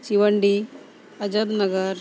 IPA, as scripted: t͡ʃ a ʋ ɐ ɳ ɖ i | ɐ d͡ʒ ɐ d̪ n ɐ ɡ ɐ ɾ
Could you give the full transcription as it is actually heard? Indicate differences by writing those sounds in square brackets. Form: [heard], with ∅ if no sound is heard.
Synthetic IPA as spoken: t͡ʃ [i] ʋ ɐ ɳ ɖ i | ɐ d͡ʒ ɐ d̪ n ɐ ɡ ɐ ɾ